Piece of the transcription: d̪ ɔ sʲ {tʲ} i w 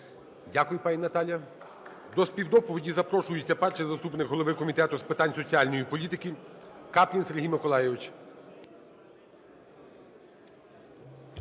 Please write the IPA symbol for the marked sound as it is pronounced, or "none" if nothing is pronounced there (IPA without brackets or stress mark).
pʲ